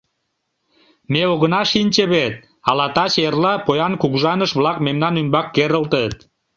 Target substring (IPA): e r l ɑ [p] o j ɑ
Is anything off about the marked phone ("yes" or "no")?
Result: no